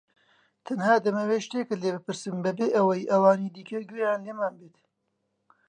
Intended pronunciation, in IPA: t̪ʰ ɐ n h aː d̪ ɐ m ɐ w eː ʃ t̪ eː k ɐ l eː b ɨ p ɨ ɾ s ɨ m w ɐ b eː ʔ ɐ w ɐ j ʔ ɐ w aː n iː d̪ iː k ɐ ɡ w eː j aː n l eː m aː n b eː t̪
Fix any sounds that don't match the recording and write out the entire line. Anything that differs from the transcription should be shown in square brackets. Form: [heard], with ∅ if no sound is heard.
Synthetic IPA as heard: t̪ʰ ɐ n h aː d̪ ɐ m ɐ w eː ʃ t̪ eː k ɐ l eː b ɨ p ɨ ɾ s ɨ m [b] ɐ b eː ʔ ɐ w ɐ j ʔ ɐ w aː n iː d̪ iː k ɐ ɡ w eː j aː n l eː m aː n b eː t̪